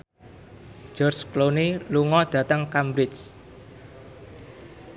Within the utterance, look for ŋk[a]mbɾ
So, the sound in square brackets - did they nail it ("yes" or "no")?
yes